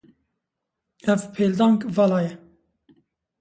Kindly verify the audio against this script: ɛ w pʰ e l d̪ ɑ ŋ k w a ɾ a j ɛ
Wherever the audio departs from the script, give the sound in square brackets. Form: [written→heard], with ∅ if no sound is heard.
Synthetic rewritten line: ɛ [w→v] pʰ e l d̪ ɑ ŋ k [w→v] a [ɾ→l] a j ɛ